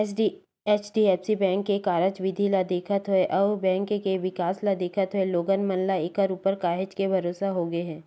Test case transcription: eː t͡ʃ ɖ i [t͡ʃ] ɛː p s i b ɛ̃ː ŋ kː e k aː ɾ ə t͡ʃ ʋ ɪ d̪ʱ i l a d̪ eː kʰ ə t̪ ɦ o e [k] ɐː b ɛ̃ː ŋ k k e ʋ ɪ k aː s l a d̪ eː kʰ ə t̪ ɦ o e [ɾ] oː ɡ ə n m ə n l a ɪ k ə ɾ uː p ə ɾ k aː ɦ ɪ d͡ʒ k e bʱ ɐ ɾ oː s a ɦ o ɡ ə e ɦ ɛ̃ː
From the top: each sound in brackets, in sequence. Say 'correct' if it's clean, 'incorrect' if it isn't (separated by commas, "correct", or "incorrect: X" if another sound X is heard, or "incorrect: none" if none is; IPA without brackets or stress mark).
incorrect: none, incorrect: ʔ, incorrect: l